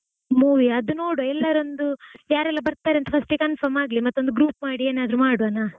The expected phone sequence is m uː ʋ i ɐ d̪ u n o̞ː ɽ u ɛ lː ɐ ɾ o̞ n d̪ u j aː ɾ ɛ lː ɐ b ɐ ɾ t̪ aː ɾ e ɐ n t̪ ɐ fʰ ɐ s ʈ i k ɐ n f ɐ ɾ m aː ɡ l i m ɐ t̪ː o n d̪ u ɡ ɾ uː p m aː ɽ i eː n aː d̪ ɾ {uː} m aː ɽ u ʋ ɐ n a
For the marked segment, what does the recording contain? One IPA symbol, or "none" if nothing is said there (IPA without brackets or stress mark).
u